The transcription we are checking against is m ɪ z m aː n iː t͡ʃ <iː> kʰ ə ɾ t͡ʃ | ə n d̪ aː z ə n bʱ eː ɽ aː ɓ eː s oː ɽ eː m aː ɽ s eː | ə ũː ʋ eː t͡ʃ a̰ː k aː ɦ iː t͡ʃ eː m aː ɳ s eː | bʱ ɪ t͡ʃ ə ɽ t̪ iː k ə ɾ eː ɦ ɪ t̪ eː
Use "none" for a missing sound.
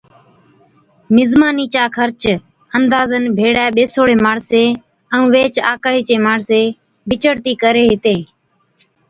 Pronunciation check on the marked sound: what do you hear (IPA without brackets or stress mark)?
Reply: aː